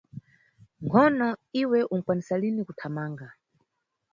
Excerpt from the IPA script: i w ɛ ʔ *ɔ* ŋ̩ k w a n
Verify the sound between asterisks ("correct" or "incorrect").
incorrect